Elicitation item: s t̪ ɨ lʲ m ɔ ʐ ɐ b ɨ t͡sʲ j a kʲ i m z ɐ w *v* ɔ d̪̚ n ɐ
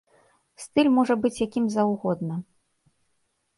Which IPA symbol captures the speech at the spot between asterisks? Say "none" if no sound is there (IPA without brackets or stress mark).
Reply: ɣ